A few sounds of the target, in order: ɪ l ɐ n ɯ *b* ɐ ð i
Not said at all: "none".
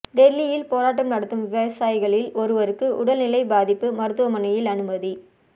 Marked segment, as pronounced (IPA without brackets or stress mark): m